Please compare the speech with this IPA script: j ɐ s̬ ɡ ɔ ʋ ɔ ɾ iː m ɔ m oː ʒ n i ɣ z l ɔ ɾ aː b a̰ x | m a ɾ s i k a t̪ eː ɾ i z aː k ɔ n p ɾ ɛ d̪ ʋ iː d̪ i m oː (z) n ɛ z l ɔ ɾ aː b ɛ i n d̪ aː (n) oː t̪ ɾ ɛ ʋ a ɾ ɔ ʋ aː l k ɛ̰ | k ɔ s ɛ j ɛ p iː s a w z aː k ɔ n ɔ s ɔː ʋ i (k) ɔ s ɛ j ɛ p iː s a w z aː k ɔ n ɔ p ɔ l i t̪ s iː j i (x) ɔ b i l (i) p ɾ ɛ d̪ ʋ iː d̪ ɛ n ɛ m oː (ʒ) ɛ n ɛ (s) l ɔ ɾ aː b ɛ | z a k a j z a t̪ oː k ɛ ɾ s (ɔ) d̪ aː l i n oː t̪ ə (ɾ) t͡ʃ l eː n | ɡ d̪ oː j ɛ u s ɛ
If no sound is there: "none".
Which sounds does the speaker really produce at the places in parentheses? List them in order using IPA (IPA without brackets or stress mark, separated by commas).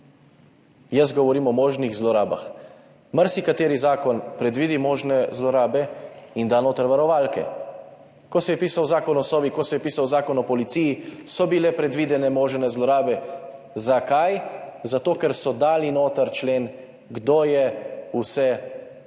ʒ, n, k, s, ɛ, ʒ, z, ɔ, ɾ